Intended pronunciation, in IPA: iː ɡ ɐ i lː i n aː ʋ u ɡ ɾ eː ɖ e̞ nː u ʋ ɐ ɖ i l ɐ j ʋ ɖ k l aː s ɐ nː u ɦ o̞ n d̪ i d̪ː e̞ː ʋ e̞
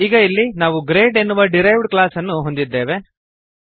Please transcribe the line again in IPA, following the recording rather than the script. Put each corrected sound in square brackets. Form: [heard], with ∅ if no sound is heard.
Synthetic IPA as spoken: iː ɡ ɐ i lː i n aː ʋ u ɡ ɾ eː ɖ e̞ nː u ʋ ɐ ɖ i [ɾ] ɐ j ʋ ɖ k l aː s ɐ nː u ɦ o̞ n d̪ i d̪ː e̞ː ʋ e̞